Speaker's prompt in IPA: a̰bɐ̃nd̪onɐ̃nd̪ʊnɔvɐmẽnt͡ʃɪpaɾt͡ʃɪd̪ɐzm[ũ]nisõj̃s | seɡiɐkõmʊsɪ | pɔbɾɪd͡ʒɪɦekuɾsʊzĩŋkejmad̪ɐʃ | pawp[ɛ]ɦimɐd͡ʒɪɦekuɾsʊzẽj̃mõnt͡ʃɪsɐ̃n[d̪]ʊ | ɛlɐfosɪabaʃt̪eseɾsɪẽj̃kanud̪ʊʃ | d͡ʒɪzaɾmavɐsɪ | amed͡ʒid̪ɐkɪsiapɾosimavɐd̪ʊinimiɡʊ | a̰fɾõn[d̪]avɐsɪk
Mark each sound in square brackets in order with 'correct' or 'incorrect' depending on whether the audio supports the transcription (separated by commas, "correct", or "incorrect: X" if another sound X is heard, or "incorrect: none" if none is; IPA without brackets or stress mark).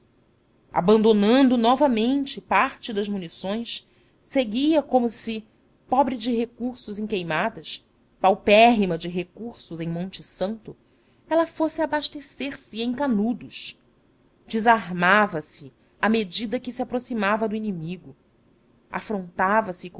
incorrect: u, correct, incorrect: t̪, incorrect: t̪